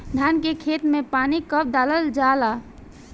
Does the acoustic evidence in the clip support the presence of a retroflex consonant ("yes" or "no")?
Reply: no